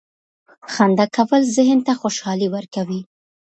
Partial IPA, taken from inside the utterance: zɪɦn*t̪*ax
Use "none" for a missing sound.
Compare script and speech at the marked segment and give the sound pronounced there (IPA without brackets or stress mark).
t̪